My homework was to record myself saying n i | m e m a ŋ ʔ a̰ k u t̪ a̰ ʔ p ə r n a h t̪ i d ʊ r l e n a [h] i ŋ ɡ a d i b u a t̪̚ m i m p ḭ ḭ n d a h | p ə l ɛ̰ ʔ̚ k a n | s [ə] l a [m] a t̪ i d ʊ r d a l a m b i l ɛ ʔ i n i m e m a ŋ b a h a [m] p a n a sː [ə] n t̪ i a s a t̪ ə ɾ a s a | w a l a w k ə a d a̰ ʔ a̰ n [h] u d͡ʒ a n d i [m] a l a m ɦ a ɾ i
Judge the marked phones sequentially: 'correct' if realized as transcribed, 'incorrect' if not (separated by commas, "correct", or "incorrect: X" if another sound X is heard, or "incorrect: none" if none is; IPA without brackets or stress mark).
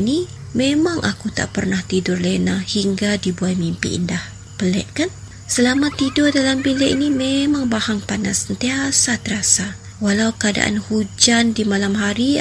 correct, correct, correct, incorrect: ŋ, correct, correct, correct